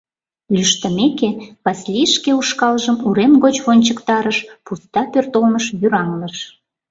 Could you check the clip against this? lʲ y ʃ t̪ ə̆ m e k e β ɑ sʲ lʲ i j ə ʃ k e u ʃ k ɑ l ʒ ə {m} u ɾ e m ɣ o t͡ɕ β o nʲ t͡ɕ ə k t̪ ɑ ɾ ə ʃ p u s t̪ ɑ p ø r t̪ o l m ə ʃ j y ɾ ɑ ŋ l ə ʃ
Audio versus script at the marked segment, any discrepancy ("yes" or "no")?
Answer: no